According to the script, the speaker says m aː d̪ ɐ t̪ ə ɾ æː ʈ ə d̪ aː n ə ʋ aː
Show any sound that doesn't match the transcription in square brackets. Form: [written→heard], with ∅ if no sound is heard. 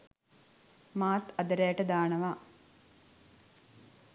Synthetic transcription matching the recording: m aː [d̪→t̪] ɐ [t̪→d̪] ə ɾ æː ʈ ə d̪ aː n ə ʋ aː